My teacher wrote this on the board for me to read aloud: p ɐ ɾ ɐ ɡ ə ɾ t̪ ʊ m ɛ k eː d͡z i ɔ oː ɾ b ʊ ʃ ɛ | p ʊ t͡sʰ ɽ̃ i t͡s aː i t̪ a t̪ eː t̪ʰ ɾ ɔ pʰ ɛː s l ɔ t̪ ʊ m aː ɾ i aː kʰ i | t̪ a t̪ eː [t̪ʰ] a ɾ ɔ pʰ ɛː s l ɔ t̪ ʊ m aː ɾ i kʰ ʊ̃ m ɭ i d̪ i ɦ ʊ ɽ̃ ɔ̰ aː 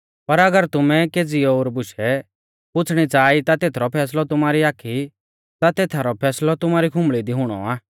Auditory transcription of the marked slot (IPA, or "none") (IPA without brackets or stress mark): t̪ʰ